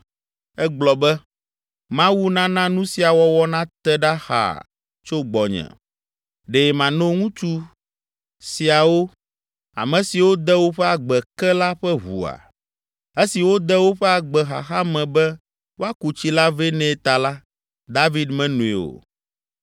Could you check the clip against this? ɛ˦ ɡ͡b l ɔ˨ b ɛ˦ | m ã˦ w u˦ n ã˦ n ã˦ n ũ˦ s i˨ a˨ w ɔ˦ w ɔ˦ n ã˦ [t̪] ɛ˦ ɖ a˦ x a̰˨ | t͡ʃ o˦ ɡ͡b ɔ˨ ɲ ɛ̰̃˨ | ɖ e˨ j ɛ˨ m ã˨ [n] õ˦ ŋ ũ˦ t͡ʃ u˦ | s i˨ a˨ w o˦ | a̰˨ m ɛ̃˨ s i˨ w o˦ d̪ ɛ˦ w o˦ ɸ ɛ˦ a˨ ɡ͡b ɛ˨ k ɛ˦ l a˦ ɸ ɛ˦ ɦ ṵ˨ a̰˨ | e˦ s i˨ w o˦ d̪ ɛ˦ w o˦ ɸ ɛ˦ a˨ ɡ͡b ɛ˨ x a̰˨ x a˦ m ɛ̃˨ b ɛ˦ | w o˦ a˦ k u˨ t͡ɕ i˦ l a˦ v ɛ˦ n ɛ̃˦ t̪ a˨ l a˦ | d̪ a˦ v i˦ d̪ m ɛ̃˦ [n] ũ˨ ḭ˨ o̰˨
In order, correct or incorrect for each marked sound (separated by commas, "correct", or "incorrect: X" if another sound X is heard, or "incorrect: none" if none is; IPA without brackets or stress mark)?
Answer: correct, correct, correct